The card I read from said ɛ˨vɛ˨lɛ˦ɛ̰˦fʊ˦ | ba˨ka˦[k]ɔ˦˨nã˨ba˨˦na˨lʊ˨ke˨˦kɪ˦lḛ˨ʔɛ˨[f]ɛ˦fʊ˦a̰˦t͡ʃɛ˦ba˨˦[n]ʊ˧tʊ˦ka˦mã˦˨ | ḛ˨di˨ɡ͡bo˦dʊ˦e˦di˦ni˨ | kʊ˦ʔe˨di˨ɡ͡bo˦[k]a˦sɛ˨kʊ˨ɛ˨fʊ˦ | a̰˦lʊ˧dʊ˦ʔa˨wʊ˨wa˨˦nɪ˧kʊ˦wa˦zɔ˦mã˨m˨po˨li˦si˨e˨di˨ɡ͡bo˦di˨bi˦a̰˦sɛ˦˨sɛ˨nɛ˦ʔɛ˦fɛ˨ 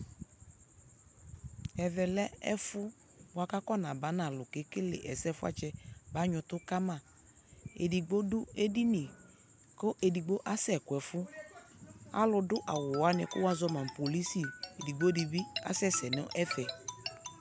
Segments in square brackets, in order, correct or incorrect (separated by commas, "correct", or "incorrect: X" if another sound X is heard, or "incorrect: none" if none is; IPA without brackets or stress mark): correct, incorrect: s, incorrect: ɲ, incorrect: ʔ